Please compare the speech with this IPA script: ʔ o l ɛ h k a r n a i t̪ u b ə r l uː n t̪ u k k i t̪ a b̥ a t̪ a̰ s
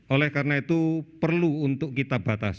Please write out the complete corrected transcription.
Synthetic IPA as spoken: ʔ o l ɛ h k a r n a i t̪ u p ə r l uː n t̪ ʊ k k i t̪ a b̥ a t̪ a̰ s